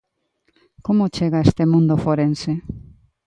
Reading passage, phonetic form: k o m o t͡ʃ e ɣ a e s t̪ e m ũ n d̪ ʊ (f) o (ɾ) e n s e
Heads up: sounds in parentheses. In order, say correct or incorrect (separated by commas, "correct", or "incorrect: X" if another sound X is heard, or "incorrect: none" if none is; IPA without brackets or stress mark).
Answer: correct, correct